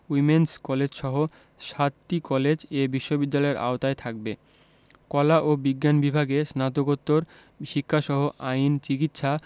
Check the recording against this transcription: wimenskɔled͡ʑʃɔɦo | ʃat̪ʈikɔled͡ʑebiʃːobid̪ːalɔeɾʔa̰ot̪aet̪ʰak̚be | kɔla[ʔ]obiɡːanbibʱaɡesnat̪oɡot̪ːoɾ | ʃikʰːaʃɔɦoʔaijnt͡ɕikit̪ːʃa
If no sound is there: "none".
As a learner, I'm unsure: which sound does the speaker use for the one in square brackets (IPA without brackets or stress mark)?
ʔ